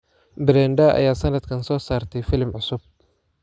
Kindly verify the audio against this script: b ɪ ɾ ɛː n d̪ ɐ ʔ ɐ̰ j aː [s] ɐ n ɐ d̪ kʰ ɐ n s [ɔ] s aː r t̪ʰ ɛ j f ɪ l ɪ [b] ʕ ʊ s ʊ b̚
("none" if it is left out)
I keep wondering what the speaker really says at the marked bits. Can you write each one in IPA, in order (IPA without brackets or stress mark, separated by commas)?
s, ɔː, m